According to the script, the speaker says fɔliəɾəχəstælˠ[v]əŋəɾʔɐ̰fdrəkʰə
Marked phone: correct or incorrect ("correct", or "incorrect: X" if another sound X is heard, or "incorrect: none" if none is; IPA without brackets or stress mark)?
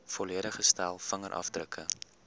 incorrect: f